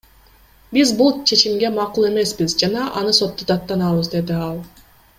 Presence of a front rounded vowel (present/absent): absent